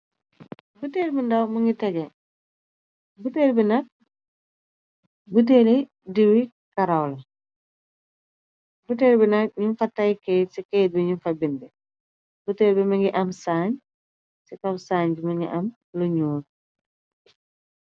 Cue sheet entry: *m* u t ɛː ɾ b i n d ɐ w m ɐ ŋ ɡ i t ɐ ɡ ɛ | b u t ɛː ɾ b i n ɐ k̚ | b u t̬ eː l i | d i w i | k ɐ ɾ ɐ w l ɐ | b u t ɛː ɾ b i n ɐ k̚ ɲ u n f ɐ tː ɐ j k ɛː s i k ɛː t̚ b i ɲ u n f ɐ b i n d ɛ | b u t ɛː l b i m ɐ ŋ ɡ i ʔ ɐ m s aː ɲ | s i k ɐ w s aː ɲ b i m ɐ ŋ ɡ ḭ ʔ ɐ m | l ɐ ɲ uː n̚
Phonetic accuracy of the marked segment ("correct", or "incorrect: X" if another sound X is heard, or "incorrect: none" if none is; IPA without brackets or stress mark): incorrect: b